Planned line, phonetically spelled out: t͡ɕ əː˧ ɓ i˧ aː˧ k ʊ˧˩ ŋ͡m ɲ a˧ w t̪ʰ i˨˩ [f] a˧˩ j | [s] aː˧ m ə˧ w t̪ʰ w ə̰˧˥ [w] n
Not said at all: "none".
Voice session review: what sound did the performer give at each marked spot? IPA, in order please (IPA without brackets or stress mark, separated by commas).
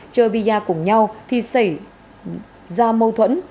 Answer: s, z, none